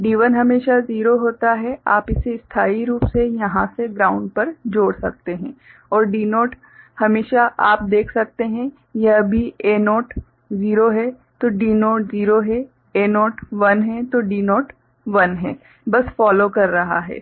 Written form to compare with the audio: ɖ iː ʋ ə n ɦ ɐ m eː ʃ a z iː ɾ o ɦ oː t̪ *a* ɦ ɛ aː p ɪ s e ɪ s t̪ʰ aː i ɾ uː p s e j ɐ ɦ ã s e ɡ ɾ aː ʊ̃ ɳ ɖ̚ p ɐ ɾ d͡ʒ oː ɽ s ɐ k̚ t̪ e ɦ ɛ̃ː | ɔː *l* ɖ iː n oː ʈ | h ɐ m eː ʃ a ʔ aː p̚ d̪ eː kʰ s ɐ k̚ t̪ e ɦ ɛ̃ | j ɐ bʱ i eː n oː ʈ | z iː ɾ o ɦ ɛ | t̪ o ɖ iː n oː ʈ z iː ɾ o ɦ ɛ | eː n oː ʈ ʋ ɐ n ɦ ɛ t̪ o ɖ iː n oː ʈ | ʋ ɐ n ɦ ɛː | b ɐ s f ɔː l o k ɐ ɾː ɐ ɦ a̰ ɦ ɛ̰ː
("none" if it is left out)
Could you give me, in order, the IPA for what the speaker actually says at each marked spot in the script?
a, ɾ

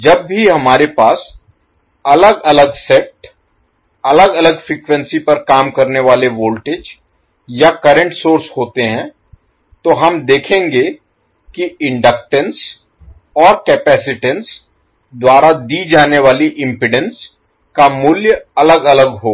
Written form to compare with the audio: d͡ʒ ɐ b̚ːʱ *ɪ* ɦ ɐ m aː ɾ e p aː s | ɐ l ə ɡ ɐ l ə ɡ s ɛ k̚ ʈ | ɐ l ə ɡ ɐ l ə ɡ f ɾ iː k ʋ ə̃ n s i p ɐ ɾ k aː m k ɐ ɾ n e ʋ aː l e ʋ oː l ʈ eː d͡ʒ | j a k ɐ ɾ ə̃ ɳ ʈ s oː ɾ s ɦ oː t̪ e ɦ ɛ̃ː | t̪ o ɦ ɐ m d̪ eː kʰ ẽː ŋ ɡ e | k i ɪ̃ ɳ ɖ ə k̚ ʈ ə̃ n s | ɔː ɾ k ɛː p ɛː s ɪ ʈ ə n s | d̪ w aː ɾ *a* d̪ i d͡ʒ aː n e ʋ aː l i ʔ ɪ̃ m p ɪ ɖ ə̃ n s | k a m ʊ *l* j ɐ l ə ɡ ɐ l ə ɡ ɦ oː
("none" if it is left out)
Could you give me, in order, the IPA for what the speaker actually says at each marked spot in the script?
i, a, l

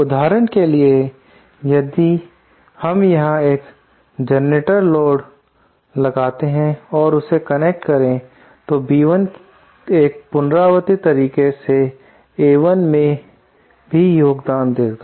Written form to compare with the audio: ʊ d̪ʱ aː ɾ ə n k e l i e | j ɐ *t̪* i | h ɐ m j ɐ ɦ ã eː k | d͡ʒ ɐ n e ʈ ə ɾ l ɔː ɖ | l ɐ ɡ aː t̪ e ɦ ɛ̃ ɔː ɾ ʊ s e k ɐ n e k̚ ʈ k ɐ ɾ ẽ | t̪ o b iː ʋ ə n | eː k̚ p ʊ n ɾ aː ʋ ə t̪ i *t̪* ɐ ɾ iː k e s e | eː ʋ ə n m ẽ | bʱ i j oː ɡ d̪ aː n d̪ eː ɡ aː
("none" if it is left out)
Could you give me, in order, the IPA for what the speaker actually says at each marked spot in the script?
d̪, t̪

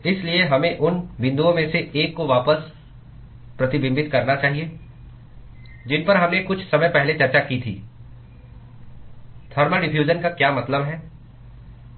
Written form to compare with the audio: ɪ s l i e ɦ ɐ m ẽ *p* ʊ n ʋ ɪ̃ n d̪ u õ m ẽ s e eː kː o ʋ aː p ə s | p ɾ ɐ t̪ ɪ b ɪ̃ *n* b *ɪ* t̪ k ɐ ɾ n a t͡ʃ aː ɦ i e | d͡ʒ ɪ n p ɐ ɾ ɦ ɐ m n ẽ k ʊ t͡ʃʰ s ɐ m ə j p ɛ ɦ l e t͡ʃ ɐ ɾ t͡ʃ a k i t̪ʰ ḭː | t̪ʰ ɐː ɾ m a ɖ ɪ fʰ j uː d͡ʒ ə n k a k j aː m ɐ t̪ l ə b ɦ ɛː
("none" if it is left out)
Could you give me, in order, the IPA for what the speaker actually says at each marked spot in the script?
ʔ, m, ɪ

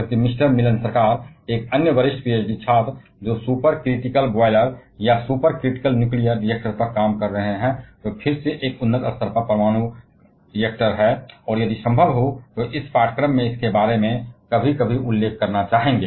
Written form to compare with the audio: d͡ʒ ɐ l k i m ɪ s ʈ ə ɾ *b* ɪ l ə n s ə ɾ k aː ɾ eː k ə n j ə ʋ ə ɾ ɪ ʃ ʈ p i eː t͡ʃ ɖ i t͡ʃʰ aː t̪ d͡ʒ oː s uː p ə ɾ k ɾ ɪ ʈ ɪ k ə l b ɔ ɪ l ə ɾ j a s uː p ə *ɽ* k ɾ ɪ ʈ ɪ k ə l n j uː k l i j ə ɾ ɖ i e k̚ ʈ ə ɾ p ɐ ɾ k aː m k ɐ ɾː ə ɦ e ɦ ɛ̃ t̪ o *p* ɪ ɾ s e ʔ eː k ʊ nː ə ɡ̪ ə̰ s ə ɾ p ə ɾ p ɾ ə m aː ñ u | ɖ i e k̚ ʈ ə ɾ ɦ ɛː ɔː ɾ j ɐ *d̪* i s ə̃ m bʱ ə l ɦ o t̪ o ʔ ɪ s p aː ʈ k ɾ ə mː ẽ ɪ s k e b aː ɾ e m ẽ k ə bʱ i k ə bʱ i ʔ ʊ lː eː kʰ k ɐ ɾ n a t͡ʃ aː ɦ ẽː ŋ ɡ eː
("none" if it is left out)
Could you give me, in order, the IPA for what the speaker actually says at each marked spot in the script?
m, ɾ, pʰ, d̪

